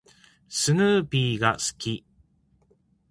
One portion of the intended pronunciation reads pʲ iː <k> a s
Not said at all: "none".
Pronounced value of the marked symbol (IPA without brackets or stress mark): ɡ